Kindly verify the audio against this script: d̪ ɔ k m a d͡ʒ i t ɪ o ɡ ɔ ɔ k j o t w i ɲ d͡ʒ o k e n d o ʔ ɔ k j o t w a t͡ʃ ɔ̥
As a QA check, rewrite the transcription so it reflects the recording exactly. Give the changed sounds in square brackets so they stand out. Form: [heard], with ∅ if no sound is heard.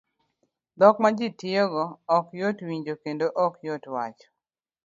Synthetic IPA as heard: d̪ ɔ k m a d͡ʒ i t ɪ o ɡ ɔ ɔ k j o t w i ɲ d͡ʒ o k e n d o ʔ ɔ k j o t w a t͡ʃ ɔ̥